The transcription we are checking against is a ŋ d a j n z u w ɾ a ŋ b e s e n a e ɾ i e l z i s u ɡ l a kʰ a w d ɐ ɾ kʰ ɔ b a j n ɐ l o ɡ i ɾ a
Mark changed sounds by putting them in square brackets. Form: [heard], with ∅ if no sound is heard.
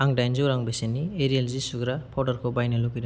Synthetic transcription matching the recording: a ŋ d a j n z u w ɾ a ŋ b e s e n [i] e ɾ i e l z i s u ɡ [ɾ] a [pʰ] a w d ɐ ɾ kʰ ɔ b a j n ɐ l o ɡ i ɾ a